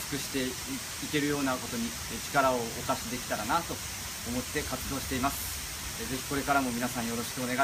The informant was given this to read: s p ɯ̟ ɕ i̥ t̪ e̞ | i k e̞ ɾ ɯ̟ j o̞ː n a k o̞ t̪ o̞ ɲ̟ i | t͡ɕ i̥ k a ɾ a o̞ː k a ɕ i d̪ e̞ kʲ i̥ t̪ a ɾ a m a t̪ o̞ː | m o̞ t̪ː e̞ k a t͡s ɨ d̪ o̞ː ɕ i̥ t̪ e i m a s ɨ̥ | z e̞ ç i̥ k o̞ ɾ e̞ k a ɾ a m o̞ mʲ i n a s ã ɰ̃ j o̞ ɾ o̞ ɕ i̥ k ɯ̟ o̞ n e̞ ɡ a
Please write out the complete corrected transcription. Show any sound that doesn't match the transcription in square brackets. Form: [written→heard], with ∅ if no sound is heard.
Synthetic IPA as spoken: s [p→k] ɯ̟ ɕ i̥ t̪ e̞ | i k e̞ ɾ ɯ̟ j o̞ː n a k o̞ t̪ o̞ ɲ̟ i | t͡ɕ i̥ k a ɾ a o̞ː k a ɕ i d̪ e̞ kʲ i̥ t̪ a ɾ a [m→n] a t̪ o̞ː | m o̞ t̪ː e̞ k a t͡s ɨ d̪ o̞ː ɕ i̥ t̪ e i m a s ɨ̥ | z e̞ ç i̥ k o̞ ɾ e̞ k a ɾ a m o̞ mʲ i n a s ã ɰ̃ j o̞ ɾ o̞ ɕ i̥ k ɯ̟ o̞ n e̞ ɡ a